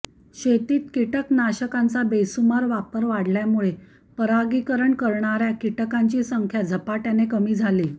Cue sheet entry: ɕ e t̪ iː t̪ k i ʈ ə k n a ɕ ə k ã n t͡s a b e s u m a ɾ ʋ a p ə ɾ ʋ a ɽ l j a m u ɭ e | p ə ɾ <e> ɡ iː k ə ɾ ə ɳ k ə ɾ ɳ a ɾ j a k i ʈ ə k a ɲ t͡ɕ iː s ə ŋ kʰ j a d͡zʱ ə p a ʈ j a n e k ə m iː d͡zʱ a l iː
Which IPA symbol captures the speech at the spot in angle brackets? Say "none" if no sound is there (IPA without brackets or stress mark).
a